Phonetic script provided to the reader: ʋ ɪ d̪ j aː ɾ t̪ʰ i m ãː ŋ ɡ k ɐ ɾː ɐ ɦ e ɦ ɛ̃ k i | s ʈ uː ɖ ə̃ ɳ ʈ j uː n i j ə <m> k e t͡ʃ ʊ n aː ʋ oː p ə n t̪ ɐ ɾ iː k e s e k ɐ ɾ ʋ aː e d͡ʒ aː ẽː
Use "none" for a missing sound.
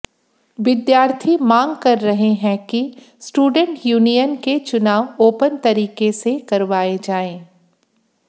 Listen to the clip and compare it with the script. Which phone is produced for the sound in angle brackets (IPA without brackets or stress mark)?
n